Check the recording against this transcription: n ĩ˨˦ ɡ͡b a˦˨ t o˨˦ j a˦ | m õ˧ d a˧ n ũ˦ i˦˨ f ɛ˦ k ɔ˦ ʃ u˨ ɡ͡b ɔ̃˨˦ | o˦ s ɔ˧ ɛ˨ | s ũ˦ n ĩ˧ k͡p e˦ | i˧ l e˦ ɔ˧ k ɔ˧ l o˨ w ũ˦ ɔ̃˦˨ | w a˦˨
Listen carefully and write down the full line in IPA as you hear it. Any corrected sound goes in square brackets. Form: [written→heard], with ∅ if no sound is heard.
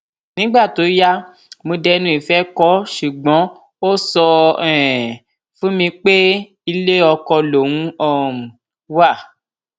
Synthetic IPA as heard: n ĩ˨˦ ɡ͡b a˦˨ t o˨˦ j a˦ | m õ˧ d [a˧→ɛ˧] n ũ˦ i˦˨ f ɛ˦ k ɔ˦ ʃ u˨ ɡ͡b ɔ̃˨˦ | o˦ s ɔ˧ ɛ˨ | [s→f] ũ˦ [n→m] ĩ˧ k͡p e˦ | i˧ l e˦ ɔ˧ k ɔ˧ l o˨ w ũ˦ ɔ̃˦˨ | w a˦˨